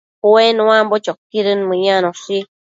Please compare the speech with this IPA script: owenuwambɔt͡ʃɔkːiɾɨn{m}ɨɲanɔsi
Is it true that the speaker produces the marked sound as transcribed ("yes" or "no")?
yes